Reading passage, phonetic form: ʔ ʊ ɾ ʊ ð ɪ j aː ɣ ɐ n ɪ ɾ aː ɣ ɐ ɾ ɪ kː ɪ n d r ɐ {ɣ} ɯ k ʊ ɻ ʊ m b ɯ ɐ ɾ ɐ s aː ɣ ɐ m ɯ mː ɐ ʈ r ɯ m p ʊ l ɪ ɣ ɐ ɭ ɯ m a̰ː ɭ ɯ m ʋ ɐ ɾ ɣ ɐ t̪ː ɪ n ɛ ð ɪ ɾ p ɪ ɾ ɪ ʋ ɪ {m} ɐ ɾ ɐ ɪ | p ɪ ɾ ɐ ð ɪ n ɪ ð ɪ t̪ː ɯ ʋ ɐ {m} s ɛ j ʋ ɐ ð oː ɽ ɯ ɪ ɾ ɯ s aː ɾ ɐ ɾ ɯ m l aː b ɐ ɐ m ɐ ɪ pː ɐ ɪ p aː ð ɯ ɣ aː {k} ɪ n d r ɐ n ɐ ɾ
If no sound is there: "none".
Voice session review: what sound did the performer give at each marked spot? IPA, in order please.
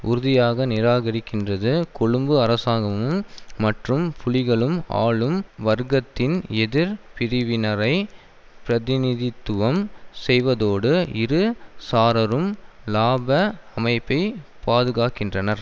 ð, n, m, k

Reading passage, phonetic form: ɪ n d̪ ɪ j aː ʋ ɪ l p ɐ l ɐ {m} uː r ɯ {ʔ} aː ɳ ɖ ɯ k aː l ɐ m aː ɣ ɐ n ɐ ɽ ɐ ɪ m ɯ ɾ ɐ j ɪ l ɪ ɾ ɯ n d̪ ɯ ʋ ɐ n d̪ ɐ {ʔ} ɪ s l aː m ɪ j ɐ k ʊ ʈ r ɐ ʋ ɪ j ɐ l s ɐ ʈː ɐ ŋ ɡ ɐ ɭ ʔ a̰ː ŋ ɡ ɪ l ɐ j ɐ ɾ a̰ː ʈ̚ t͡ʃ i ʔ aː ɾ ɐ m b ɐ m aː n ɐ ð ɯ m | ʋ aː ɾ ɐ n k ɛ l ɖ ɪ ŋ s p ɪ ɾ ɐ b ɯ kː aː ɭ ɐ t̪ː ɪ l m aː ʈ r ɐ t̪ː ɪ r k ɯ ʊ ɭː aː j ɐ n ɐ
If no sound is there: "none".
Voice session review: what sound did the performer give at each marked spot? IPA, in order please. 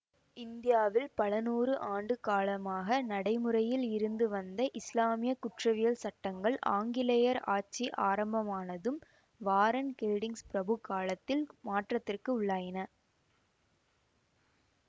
n, ʔ, ʔ

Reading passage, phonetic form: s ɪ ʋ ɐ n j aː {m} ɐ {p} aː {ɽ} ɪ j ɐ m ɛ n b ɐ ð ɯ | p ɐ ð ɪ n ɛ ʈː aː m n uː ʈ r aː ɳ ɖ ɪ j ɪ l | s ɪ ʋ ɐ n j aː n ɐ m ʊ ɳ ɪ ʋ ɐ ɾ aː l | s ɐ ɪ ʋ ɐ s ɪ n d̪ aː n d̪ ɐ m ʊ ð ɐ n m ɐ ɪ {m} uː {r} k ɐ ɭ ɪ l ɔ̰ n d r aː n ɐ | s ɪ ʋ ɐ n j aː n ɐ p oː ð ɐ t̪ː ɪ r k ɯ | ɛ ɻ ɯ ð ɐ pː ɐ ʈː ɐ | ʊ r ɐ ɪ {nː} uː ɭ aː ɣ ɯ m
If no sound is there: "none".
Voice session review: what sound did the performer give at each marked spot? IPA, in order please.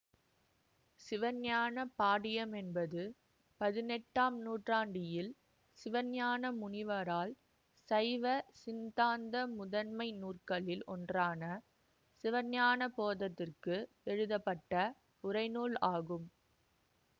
n, p, ɽ, n, r, n

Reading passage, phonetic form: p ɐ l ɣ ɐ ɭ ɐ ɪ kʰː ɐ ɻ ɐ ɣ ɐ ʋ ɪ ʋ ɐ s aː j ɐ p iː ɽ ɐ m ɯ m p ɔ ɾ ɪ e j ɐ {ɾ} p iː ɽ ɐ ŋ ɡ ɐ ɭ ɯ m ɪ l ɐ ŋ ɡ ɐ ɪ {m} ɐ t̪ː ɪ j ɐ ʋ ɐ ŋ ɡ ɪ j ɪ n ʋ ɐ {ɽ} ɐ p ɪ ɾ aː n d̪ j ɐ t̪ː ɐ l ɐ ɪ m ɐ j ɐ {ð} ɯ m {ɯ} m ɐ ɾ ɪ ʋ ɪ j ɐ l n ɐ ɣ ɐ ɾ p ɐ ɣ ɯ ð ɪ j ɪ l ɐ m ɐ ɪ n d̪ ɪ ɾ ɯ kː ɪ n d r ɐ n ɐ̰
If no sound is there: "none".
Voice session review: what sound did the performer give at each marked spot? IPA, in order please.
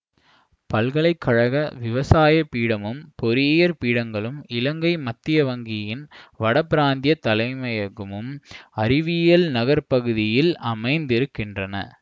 ɾ, m, ɽ, ɣ, ɯ

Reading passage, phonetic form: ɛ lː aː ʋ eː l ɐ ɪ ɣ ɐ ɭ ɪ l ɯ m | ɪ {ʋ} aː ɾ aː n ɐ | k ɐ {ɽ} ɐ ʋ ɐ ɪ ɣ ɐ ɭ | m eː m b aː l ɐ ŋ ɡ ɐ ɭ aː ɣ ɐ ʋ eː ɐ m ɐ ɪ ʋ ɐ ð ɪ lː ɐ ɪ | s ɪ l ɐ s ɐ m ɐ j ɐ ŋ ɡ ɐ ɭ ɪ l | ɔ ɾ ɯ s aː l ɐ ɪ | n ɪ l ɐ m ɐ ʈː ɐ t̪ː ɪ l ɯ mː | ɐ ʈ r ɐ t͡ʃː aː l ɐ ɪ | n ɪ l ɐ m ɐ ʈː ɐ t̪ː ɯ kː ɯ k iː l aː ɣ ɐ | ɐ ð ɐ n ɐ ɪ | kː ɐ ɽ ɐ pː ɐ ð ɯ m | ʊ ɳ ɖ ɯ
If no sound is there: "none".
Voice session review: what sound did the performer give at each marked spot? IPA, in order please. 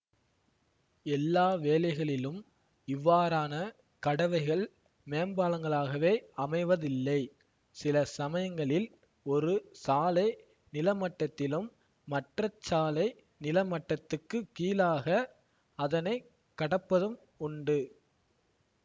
ʋː, ɽ

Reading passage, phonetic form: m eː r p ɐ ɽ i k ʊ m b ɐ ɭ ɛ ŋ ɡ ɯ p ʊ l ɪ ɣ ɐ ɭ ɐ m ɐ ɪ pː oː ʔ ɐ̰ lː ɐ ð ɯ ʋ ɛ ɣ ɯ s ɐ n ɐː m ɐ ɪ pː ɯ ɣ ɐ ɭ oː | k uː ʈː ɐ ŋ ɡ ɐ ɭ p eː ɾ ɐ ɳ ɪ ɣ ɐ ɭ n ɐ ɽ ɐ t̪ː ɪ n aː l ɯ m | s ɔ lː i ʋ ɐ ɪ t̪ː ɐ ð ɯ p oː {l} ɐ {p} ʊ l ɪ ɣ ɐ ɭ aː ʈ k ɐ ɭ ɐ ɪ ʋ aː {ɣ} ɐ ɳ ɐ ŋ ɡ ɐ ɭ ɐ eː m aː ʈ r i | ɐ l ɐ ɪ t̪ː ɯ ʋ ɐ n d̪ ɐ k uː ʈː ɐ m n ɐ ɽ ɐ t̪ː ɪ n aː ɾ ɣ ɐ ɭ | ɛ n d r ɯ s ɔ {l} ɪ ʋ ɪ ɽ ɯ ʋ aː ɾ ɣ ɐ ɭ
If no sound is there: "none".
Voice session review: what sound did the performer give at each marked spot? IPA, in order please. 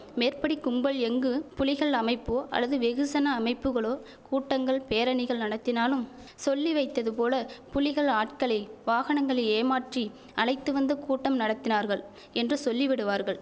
l, p, ɣ, lː

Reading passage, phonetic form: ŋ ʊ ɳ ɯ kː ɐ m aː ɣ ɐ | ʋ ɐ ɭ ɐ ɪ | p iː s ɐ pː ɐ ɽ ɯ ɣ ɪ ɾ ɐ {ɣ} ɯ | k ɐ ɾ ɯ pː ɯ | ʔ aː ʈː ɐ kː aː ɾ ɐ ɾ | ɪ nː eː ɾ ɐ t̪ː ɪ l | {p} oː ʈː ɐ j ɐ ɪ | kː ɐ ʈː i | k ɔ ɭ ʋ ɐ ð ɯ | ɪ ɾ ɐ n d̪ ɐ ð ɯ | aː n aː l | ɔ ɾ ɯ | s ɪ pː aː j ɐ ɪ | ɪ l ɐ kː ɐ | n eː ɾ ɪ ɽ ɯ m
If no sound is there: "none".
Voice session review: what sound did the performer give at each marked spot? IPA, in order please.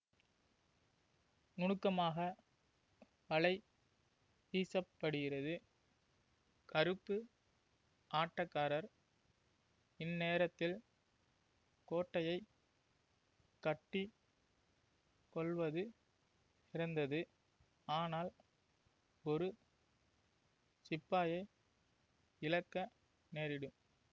ð, k

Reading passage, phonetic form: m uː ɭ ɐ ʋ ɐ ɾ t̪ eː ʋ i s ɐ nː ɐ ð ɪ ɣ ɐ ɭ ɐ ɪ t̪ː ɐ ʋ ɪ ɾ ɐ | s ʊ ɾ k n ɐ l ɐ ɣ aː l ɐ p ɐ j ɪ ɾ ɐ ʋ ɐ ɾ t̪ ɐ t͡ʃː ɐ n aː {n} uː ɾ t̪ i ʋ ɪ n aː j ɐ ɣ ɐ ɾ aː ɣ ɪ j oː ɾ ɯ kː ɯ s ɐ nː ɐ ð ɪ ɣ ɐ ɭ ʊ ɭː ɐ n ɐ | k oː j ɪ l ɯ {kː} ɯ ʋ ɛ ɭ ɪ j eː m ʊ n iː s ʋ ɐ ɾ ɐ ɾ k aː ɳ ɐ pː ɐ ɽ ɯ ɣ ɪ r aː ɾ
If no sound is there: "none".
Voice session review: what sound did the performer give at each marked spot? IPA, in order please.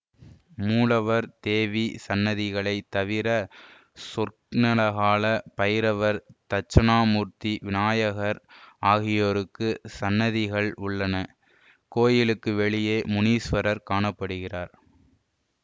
m, kː

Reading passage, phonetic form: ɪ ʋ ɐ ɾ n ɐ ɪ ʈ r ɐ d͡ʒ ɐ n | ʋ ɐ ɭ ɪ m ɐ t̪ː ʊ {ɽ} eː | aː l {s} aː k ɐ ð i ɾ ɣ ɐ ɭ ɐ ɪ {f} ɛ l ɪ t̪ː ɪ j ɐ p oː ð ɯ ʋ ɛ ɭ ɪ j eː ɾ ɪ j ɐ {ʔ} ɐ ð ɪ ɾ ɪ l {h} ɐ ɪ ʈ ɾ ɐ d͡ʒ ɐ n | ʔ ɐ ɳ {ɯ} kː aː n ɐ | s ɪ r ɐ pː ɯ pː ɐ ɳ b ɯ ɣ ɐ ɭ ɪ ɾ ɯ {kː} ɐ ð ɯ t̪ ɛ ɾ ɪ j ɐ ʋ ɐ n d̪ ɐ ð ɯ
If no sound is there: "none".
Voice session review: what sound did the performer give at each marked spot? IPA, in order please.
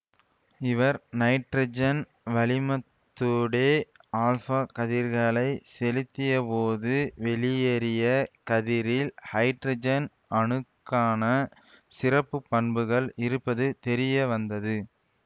ɽ, f, s, k, h, ɯ, pː

